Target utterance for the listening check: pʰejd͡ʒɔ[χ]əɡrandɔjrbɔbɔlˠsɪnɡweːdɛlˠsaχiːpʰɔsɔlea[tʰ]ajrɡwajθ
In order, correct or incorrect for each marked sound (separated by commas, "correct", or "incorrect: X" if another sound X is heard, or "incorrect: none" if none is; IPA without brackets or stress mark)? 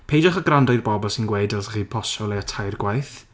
correct, correct